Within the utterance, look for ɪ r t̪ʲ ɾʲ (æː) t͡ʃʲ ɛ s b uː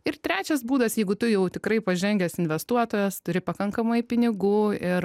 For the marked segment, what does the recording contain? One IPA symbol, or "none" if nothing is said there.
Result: æː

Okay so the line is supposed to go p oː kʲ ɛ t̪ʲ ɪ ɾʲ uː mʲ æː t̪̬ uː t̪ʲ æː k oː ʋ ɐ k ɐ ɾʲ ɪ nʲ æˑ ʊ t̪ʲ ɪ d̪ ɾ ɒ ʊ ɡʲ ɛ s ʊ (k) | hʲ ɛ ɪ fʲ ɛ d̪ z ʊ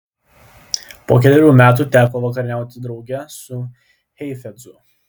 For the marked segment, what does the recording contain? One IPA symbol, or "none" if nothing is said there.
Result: none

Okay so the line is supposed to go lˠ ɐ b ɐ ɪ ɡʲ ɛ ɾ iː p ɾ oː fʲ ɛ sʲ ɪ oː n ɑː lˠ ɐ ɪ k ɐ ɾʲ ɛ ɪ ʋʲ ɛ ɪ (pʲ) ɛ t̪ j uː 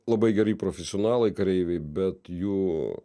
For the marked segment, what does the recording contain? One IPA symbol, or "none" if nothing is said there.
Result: bʲ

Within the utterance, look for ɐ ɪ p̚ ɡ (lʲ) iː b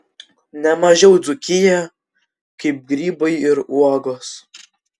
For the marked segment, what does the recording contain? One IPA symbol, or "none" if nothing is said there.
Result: ɾʲ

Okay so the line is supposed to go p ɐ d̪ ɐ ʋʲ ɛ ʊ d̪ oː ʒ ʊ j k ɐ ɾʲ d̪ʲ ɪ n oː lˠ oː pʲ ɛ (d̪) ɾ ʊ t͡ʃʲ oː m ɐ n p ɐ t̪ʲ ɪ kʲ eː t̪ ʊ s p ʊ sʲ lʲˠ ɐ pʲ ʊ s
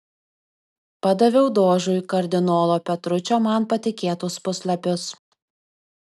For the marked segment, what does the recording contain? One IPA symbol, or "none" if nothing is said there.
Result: t̪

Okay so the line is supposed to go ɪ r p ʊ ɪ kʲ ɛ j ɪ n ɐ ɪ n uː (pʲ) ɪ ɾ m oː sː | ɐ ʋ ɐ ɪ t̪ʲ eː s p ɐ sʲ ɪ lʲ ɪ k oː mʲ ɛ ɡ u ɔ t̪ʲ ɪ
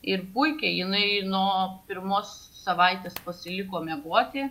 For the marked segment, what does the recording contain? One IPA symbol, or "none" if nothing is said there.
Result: pʲ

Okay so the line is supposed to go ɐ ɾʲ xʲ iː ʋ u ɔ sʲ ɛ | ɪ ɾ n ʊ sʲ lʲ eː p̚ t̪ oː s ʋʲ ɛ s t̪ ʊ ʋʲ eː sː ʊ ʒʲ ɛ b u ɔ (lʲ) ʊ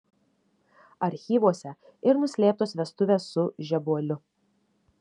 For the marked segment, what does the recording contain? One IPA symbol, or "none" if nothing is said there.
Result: lʲ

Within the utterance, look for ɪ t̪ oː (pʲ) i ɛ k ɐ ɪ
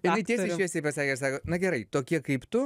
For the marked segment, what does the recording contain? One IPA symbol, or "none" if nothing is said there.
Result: kʲ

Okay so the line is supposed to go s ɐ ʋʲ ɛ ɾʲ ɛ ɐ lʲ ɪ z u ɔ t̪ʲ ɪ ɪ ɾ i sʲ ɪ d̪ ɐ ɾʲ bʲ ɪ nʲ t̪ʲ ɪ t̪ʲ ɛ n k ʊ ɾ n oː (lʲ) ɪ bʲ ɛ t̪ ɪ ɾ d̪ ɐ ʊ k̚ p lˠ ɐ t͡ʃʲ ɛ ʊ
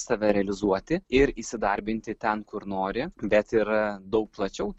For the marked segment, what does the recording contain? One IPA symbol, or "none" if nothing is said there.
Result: ɾʲ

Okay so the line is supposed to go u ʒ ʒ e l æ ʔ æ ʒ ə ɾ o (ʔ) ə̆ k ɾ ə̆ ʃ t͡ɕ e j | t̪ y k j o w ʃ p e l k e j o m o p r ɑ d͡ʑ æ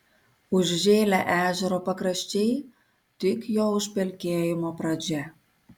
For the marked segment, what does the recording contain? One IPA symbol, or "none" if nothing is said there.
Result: p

